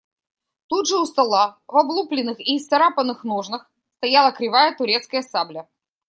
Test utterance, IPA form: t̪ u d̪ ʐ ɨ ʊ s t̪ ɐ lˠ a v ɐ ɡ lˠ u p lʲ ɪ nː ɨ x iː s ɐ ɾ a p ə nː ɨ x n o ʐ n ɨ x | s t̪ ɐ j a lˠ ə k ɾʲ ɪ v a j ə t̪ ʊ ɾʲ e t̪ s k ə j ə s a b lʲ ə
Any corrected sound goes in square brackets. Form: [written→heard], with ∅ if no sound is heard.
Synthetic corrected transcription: t̪ u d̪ ʐ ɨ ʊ s t̪ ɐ lˠ a v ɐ [ɡ→b] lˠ u p lʲ ɪ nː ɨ x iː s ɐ ɾ a p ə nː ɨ x n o ʐ n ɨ x | s t̪ ɐ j a lˠ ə k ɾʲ ɪ v a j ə t̪ ʊ ɾʲ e t̪ s k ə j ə s a b lʲ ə